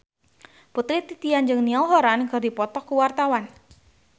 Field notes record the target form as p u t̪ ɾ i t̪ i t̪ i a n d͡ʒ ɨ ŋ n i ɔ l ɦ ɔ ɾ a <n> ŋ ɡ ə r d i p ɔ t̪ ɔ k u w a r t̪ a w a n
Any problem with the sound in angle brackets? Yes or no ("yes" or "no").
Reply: no